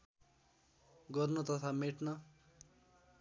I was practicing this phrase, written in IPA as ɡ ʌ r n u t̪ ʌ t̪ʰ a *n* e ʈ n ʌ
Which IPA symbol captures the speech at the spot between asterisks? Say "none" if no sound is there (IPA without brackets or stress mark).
m